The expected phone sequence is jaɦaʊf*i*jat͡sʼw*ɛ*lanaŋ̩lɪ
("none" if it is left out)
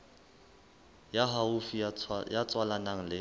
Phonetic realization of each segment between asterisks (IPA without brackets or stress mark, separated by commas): i, a